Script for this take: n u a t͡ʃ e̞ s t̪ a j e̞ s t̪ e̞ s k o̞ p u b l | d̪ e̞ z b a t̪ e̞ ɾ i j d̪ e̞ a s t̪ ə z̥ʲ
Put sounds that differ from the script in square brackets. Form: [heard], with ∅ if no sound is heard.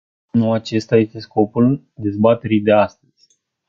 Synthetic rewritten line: n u a t͡ʃ e̞ s t̪ a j e̞ s t̪ e̞ s k o̞ p u [∅] l | d̪ e̞ z b a t̪ e̞ ɾ i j d̪ e̞ a s t̪ ə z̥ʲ